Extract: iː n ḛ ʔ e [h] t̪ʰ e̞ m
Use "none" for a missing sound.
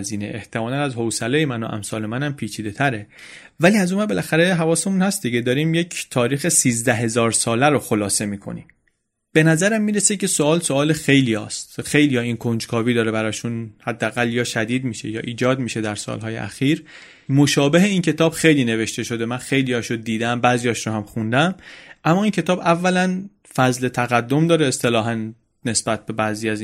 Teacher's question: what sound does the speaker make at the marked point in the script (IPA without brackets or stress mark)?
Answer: h